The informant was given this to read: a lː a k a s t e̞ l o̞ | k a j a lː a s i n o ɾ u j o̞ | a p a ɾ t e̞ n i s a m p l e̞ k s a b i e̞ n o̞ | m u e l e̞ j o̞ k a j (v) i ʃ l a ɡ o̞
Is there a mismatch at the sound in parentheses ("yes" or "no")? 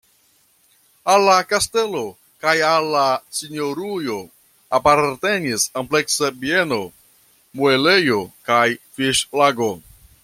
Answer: yes